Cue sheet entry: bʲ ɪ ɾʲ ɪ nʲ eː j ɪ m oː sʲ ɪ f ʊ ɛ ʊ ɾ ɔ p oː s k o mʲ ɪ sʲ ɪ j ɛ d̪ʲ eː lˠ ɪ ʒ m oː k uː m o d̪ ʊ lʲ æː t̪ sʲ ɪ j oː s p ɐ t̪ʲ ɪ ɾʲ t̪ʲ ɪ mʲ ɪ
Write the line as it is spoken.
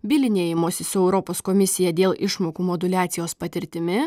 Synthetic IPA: bʲ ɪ lʲ ɪ nʲ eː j ɪ m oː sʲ ɪ s ʊ ɛ ʊ ɾ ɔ p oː s k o mʲ ɪ sʲ ɪ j ɛ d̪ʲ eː lˠ ɪ ʃ m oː k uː m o d̪ ʊ lʲ æː t̪ sʲ ɪ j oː s p ɐ t̪ʲ ɪ ɾʲ t̪ʲ ɪ mʲ ɪ